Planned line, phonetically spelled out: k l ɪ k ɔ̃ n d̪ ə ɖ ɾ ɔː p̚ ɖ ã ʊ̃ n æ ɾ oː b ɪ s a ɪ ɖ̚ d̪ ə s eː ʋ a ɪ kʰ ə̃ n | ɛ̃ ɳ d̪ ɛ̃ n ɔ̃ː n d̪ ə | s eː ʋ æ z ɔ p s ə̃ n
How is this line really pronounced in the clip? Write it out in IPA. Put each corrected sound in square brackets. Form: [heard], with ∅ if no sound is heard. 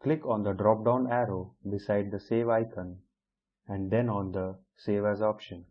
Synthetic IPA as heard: k l ɪ k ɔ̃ n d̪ ə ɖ ɾ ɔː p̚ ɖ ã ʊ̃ n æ ɾ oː b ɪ s a ɪ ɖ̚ d̪ ə s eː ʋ a ɪ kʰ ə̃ n | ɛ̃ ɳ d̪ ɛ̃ n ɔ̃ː n d̪ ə | s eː ʋ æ z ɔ p [ʃ] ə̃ n